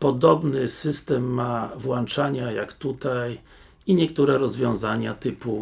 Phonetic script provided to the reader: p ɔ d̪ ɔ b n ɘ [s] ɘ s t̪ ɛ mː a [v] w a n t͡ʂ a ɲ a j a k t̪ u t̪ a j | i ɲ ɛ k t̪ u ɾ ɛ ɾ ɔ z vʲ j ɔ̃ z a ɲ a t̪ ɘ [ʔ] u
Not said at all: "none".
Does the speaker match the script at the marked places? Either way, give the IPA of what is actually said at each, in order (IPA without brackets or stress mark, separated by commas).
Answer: s, v, p